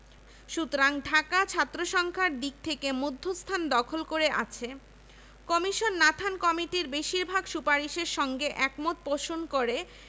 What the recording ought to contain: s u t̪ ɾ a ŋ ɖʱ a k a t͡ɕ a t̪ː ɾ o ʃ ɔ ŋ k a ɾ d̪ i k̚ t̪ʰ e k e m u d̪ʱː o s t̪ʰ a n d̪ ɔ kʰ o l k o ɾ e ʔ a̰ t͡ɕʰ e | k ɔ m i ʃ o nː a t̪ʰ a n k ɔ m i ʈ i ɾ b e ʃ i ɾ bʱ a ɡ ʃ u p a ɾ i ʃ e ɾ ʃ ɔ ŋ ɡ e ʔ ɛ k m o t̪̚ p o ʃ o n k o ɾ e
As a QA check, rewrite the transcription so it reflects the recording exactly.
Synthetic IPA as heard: ʃ u t̪ ɾ a ŋ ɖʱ a k a t͡ɕʰ a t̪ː ɾ o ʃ ɔ ŋ kʰ a ɾ d̪ i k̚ t̪ʰ e k e m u d̪ʱː o s t̪ʰ a n d̪ ɔ kʰ o l k o ɾ e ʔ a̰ t͡ɕʰ e | k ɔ m i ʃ o nː a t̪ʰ a n k ɔ m i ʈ i ɾ b e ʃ i ɾ bʱ a ɡ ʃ u p a ɾ i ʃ e ɾ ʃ ɔ ŋ ɡ e ʔ ɛ k m o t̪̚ p o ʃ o n k o ɾ e